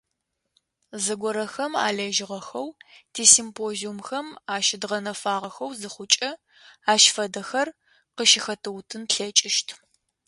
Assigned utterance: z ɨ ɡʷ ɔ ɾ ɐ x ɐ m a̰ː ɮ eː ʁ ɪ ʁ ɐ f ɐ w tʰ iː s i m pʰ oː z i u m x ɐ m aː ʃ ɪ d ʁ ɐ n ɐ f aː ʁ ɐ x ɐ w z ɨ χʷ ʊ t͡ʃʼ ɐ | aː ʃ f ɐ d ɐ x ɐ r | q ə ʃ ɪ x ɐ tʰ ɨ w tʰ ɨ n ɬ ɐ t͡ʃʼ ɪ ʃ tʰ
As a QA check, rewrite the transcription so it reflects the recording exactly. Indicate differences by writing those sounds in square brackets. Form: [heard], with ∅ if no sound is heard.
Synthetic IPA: z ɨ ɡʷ ɔ ɾ ɐ x ɐ m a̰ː ɮ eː [ʒ] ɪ ʁ ɐ [x] ɐ w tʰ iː s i m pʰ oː z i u m x ɐ m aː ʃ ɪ d ʁ ɐ n ɐ f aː ʁ ɐ x ɐ w z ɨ χʷ ʊ t͡ʃʼ ɐ | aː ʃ f ɐ d ɐ x ɐ r | q ə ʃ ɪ x ɐ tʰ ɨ w tʰ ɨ n ɬ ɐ t͡ʃʼ ɪ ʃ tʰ